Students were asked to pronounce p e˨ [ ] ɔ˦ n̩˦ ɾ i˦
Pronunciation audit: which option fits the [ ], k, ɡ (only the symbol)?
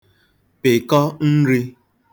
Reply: k